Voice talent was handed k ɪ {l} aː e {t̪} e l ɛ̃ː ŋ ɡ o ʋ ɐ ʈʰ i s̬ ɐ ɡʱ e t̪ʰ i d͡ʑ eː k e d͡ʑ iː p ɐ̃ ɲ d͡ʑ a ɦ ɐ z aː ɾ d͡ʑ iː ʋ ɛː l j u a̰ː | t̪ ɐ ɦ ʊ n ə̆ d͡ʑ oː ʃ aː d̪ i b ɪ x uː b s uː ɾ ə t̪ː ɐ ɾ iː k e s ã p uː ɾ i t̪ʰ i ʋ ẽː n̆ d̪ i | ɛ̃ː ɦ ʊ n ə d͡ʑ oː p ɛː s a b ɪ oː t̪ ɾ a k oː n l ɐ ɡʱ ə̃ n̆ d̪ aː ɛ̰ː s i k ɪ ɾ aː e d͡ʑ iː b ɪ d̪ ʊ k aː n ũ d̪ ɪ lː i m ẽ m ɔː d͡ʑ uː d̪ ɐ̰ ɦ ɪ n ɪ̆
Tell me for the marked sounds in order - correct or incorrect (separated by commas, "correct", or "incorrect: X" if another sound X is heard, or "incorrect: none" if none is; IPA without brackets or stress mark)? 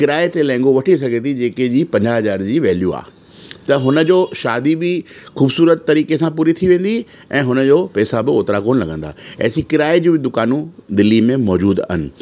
incorrect: ɾ, correct